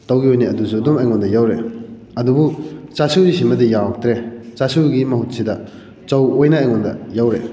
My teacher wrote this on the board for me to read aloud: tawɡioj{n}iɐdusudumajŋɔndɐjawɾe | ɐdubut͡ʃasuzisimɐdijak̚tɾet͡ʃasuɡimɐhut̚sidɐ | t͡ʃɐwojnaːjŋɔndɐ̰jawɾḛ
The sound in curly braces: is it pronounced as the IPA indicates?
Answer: yes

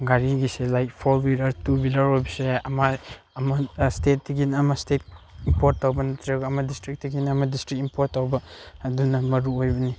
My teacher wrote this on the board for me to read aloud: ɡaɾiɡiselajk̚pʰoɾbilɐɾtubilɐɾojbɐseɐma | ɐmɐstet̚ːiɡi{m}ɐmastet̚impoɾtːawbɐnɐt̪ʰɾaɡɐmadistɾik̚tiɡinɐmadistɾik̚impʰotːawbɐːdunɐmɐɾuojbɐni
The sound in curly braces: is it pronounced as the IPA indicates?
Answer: no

